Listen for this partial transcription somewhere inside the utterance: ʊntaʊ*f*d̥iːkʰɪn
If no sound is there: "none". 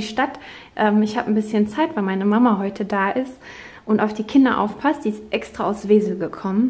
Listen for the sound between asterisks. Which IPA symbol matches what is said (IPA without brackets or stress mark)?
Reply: f